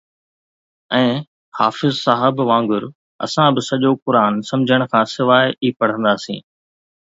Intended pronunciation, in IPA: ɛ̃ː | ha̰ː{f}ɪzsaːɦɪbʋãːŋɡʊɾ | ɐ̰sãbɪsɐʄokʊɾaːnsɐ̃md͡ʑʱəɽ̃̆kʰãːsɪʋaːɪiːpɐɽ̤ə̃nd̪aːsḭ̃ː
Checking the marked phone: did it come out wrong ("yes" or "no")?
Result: no